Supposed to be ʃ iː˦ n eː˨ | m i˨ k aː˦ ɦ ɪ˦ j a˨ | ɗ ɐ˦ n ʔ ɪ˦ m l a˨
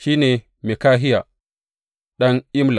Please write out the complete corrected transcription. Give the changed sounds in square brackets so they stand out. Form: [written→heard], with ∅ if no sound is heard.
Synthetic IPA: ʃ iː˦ n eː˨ | m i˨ k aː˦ ɦ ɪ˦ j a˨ | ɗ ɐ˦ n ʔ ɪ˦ m l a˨

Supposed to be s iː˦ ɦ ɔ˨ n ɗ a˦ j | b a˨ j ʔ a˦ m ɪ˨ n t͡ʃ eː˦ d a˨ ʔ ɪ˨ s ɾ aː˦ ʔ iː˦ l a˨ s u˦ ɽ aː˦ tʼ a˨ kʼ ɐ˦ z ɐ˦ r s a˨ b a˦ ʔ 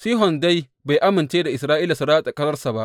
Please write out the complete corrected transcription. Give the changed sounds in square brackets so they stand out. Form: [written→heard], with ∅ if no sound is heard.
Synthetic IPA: s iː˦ ɦ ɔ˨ n [ɗ→d] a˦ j | b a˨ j ʔ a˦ m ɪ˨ n t͡ʃ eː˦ d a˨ ʔ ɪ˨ s ɾ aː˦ ʔ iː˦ l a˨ s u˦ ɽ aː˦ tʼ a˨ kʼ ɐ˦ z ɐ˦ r s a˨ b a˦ ʔ

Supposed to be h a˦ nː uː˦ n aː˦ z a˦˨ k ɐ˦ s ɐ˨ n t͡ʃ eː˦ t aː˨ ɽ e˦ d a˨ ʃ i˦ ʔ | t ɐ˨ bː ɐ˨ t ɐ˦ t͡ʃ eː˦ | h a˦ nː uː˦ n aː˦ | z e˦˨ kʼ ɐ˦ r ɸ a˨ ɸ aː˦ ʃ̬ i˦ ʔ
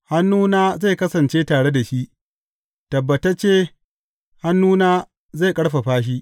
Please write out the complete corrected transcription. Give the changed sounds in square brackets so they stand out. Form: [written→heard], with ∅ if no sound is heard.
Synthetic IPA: h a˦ nː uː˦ n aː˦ z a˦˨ k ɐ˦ s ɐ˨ n t͡ʃ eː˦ t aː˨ ɽ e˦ d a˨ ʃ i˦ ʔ | t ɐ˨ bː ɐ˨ t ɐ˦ t͡ʃ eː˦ | h a˦ nː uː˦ n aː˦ | z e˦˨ kʼ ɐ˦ [r→ɽ] ɸ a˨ ɸ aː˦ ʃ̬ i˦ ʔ

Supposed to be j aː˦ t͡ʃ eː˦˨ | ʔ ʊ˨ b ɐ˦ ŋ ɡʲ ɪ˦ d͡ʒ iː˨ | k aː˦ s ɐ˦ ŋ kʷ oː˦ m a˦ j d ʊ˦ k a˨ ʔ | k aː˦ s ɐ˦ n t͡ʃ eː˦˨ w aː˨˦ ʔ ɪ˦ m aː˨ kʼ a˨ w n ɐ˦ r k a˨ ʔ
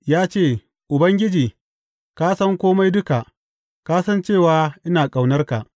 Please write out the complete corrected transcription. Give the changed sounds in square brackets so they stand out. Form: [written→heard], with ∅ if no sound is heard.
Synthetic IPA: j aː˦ t͡ʃ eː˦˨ | ʔ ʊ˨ b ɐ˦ ŋ ɡʲ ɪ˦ d͡ʒ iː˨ | k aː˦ s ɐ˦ ŋ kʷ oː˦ m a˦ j d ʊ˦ k a˨ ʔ | k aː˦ s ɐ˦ n t͡ʃ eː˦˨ w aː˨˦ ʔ ɪ˦ [m→n] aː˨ kʼ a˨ w n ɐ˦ r k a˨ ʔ

